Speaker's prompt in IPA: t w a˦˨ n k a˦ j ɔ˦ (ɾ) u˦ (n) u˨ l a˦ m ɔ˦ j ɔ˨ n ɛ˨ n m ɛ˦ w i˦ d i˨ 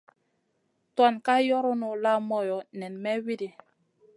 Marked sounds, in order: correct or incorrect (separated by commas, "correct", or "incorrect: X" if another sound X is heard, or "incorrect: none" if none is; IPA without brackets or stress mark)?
correct, correct